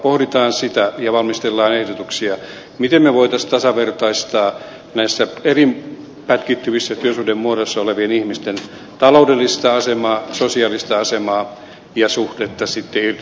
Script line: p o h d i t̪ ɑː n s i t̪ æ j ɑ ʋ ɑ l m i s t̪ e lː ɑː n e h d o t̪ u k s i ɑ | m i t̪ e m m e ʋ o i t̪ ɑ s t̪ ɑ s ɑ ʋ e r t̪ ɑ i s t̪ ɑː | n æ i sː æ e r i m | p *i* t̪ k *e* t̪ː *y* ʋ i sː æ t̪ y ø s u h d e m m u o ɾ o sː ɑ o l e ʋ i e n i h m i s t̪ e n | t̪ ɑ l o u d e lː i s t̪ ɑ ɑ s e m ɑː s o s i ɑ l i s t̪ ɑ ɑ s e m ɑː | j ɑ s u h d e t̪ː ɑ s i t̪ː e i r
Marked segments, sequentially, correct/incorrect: incorrect, incorrect, correct

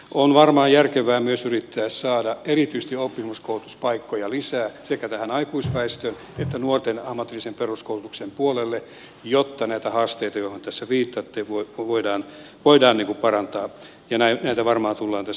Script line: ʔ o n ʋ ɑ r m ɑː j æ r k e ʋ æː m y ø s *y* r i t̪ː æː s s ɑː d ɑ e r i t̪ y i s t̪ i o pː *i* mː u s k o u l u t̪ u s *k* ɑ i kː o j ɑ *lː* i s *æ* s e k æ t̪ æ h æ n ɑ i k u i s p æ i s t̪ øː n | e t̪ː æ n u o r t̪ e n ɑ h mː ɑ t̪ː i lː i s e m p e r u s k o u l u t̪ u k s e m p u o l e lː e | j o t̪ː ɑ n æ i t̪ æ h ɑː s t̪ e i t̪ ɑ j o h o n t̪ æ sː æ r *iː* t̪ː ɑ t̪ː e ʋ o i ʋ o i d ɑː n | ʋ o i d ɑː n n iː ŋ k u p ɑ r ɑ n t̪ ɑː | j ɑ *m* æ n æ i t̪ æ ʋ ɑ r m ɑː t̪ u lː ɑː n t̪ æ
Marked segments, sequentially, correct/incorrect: correct, correct, incorrect, incorrect, incorrect, correct, incorrect

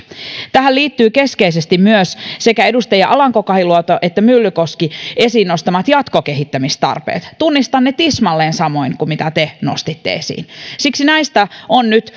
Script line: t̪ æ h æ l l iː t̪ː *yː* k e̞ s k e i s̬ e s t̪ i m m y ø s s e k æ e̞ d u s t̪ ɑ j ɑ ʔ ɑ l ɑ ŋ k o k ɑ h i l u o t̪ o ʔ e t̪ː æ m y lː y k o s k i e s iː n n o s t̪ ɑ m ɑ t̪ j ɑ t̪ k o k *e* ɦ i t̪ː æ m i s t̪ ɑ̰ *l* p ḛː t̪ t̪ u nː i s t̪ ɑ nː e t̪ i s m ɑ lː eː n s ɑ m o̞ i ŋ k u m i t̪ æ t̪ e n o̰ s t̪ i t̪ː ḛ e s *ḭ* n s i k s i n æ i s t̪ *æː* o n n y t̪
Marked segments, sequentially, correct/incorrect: correct, correct, incorrect, incorrect, incorrect

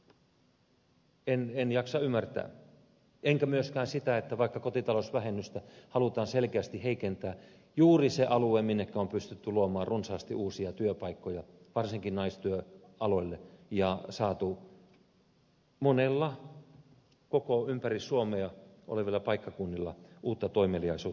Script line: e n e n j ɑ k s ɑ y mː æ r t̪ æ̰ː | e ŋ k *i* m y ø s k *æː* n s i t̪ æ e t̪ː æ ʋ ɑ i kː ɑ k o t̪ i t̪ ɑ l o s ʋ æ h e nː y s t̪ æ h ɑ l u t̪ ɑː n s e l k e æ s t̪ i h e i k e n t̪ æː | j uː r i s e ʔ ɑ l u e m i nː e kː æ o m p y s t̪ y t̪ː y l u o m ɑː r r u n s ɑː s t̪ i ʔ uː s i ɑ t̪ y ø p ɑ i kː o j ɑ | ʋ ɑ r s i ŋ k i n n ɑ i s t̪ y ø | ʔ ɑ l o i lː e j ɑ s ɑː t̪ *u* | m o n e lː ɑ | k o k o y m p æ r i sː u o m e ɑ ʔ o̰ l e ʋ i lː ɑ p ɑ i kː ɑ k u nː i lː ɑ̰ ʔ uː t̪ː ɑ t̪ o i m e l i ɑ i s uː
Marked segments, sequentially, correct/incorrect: incorrect, correct, correct

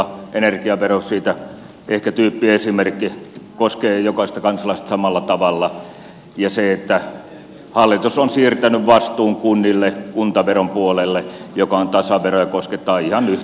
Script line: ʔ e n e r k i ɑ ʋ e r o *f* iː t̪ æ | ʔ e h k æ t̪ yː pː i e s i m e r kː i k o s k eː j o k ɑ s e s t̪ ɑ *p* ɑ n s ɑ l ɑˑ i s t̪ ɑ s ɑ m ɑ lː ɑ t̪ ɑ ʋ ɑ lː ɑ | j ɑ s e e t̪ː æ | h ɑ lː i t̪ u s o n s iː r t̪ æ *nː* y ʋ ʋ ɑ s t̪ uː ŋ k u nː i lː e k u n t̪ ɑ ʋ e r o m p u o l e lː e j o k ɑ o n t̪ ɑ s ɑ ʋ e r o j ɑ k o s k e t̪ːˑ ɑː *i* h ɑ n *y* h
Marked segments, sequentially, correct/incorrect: incorrect, incorrect, incorrect, correct, correct

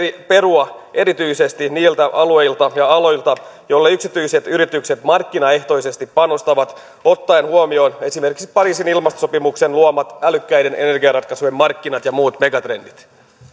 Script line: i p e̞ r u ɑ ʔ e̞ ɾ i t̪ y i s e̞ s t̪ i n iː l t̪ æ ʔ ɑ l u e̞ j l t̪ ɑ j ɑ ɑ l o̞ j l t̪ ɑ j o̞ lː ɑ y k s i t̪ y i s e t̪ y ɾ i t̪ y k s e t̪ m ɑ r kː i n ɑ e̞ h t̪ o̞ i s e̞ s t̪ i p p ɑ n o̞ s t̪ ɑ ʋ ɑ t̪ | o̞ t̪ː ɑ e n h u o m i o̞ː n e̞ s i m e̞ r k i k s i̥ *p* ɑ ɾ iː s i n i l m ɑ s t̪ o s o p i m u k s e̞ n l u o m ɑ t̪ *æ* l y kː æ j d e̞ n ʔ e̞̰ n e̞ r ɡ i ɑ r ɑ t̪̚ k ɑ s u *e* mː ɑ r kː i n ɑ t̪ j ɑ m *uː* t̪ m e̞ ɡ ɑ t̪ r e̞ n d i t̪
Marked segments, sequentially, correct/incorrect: correct, correct, correct, correct

